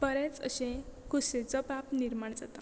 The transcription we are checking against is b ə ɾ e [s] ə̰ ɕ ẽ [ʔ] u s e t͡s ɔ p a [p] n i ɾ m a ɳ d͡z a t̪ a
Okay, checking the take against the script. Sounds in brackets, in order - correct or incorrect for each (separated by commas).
incorrect, incorrect, correct